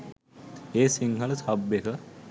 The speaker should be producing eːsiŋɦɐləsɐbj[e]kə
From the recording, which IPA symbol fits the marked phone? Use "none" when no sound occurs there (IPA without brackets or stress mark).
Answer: e